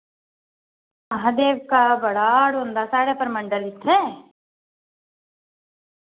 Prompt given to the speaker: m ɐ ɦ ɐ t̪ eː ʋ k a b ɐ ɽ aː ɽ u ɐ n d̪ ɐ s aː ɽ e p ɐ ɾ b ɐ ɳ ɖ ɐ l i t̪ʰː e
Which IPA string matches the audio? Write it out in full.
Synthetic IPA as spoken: m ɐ ɦ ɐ d̪ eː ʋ k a b ɐ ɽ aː ɽ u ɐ n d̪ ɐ s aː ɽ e p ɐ ɾ m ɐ ɳ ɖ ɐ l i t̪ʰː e